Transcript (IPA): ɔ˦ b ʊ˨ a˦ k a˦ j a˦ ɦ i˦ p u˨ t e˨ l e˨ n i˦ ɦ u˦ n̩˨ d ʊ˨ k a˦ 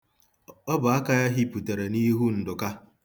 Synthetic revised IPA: ɔ˦ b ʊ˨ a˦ k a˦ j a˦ ɦ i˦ p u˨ t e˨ ɾ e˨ n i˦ ɦ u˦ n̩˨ d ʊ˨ k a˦